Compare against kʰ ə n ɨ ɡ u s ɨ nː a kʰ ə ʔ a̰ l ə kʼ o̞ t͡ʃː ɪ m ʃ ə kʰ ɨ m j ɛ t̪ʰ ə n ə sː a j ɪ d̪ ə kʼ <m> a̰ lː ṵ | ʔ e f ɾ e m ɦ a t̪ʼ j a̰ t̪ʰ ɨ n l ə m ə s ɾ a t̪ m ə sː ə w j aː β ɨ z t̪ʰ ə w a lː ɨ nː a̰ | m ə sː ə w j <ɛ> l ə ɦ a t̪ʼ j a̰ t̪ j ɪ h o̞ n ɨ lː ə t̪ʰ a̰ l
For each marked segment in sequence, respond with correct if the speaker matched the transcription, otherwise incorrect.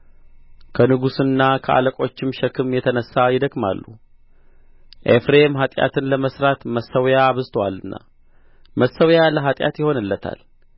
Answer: correct, incorrect

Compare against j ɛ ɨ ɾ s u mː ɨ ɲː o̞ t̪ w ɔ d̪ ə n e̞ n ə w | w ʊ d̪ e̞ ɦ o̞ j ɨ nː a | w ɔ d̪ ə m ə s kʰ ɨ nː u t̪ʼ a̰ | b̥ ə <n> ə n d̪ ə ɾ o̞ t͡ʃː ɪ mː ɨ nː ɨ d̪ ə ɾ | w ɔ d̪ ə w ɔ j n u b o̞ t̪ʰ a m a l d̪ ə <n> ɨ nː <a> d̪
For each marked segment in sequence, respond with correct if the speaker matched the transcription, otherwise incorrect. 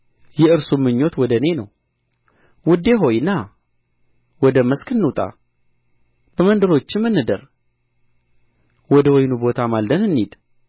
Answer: incorrect, correct, incorrect

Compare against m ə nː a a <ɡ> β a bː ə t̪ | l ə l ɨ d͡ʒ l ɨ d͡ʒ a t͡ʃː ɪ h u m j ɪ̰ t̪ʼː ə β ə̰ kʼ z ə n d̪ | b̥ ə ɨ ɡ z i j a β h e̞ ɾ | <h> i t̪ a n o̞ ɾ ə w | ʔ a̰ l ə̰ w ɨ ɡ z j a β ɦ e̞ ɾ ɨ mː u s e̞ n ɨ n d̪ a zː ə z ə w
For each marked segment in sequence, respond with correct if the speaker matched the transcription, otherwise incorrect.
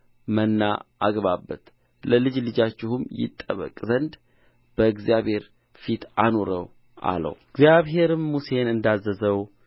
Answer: correct, incorrect

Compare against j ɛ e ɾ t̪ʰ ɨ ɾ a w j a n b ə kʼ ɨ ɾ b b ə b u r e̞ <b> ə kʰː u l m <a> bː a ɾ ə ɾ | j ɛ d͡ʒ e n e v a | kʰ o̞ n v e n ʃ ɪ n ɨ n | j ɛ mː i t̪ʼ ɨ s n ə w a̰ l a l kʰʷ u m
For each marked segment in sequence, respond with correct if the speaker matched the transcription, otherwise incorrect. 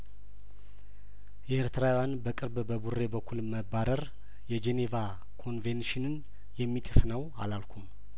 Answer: correct, incorrect

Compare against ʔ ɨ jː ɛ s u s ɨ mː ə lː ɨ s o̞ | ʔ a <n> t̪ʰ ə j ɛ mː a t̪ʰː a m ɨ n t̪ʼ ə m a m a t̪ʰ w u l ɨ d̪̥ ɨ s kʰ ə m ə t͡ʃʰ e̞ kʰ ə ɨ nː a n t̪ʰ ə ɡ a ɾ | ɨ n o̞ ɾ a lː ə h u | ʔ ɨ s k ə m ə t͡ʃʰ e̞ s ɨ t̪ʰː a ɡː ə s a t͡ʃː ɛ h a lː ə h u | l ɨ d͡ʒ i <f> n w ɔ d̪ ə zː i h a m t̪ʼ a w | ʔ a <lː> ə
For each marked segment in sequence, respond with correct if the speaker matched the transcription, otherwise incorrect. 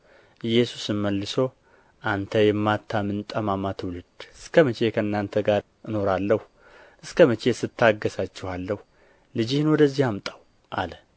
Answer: correct, incorrect, incorrect

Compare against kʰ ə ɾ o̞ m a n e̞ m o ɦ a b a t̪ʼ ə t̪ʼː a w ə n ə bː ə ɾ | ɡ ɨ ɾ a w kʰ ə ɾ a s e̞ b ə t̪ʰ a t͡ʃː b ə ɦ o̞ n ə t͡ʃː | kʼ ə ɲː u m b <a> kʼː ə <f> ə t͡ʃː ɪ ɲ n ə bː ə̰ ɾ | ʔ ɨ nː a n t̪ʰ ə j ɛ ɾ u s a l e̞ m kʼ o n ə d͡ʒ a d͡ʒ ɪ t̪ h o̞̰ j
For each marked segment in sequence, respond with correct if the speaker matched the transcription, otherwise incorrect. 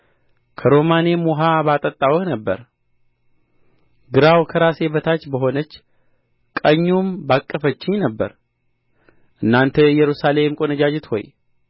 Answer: correct, correct

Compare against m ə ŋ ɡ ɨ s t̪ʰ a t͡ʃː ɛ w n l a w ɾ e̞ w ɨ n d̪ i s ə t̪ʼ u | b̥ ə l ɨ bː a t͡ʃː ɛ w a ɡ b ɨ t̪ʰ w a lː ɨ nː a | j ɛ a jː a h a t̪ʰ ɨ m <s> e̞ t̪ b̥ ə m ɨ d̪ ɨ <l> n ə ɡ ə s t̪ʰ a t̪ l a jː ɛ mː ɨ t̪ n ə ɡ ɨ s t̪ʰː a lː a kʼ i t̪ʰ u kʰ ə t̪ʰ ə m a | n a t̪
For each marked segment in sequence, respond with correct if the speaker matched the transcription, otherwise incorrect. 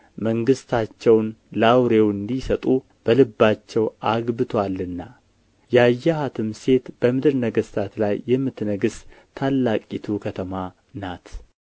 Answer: correct, incorrect

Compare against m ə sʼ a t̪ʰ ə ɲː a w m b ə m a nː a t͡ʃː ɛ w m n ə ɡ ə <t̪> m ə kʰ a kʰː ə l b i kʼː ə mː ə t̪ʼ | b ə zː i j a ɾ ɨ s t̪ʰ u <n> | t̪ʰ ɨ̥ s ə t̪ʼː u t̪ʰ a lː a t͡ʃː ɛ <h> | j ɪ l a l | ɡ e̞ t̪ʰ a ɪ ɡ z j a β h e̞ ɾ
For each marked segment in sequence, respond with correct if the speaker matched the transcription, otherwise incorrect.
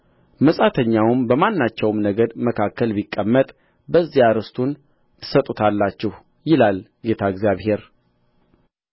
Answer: incorrect, correct, correct

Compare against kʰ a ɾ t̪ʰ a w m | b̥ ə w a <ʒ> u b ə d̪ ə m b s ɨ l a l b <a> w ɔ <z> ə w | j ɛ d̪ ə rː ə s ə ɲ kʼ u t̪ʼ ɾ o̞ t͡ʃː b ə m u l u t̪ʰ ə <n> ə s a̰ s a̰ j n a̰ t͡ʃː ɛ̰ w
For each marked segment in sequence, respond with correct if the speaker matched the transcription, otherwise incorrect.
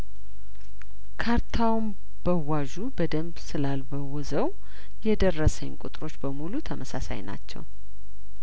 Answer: correct, incorrect, correct, incorrect

